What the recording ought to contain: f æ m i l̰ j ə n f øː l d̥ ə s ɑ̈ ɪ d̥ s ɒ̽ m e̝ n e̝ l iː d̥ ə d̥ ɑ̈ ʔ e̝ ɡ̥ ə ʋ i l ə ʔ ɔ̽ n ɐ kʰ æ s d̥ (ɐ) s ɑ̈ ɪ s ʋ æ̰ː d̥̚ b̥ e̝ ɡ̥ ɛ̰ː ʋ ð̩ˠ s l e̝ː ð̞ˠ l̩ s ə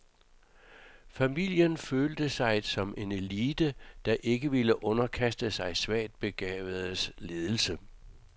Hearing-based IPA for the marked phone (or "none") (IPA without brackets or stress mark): ə